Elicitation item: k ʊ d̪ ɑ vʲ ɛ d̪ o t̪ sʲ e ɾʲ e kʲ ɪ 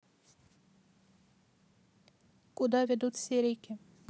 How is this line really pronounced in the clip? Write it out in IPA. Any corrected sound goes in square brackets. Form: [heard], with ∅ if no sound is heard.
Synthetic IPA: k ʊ d̪ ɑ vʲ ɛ d̪ [u] t̪ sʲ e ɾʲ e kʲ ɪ